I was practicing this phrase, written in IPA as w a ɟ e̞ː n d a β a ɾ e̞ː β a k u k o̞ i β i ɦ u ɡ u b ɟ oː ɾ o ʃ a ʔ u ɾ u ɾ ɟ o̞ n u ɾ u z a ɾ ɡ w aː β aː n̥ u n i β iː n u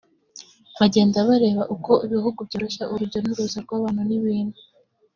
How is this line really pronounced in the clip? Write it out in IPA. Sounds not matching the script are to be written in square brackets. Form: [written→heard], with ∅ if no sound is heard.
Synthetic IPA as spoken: [w→β] a ɟ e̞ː n d a β a ɾ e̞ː β a [k→ʔ] u k o̞ i β i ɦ u ɡ u b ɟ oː ɾ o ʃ a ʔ u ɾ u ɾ ɟ o̞ n u ɾ u z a ɾ ɡ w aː β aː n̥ u n i β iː n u